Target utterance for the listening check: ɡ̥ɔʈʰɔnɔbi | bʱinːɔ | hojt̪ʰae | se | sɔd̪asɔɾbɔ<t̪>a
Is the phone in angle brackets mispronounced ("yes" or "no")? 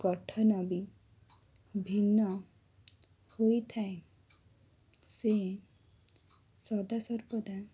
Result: yes